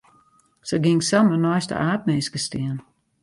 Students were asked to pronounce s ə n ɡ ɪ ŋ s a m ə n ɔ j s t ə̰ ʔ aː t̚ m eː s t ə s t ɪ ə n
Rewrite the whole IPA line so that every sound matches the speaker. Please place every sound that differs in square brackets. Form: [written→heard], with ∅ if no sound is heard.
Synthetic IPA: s ə [n→∅] ɡ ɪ ŋ s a m ə n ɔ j s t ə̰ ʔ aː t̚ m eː s [t→k] ə s t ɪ ə n